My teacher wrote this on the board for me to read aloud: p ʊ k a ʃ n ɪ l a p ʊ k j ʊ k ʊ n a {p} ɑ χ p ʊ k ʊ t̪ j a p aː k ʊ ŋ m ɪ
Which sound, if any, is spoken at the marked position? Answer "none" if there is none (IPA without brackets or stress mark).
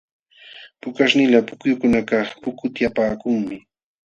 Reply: k